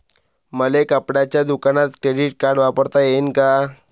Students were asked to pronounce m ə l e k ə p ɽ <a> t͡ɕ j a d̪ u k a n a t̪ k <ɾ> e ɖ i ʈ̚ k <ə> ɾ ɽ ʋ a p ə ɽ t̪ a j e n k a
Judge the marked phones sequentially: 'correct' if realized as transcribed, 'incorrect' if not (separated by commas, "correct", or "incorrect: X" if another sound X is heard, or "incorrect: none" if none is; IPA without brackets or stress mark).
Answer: correct, correct, incorrect: a